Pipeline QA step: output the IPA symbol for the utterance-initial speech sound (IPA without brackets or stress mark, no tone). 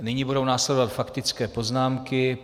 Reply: n